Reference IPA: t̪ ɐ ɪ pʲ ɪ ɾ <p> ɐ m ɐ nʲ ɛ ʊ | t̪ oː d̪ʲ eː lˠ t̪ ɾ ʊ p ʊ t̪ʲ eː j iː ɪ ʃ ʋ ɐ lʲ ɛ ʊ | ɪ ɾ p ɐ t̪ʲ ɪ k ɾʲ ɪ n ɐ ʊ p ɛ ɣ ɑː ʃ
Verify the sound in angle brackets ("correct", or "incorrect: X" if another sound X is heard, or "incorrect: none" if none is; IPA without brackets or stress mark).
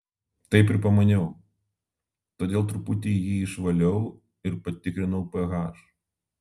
correct